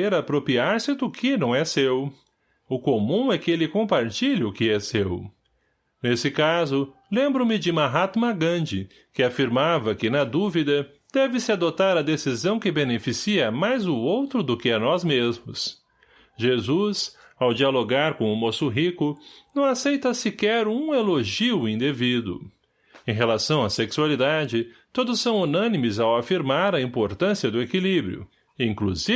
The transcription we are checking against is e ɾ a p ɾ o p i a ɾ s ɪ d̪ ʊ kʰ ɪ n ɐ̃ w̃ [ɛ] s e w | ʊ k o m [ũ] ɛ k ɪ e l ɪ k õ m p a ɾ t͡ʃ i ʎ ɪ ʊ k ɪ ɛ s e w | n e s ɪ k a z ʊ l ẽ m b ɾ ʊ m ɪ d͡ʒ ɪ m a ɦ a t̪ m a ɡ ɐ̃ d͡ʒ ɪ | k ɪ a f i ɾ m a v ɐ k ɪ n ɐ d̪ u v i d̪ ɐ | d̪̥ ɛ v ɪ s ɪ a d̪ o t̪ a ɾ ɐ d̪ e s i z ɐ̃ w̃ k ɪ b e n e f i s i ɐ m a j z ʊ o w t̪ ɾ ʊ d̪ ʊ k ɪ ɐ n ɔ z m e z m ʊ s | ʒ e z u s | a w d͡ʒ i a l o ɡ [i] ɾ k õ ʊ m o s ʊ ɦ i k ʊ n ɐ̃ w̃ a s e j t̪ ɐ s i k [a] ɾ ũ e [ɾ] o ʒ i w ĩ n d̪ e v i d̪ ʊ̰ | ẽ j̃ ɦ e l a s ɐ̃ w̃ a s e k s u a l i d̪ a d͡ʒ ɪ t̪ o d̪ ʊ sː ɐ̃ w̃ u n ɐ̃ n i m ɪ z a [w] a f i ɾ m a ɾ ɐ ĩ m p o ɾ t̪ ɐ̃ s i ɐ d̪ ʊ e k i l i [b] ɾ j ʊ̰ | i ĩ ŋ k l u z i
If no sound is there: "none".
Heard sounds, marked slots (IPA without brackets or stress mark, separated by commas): ɛ, ũ, a, ɛ, l, w, b